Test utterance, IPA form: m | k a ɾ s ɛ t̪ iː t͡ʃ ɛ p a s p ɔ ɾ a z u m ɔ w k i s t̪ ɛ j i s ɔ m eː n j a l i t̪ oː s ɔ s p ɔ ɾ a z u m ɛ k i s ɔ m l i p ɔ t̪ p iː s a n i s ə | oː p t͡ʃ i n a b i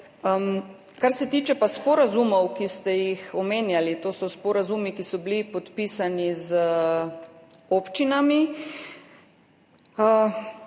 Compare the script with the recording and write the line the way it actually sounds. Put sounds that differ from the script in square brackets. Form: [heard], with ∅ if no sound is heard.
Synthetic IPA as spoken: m | k a ɾ s ɛ t̪ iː t͡ʃ ɛ p a s p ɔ ɾ a z u m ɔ w k i s t̪ ɛ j i [x] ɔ m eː n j a l i t̪ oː s ɔ s p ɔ ɾ a z u m [i] k i s ɔ [b] l i p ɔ t̪ p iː s a n i [z] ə | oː p t͡ʃ i n a [m] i